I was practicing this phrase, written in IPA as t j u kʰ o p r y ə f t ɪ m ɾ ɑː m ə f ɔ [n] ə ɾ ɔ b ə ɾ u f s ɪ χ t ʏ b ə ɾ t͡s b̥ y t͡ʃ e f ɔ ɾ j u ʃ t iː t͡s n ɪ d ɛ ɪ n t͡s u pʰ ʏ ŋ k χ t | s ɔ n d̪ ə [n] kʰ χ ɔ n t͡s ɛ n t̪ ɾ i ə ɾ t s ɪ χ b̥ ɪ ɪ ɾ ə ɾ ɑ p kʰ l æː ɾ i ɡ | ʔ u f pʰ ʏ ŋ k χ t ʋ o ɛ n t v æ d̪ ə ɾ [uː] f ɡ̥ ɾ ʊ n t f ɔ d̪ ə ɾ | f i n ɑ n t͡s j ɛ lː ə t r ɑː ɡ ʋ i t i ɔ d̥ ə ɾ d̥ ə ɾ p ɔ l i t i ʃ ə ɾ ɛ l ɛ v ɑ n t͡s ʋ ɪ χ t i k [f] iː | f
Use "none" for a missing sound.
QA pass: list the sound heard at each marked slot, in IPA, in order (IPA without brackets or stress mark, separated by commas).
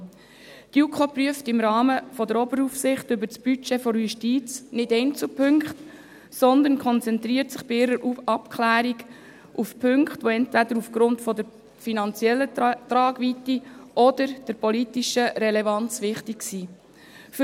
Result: d, n, u, s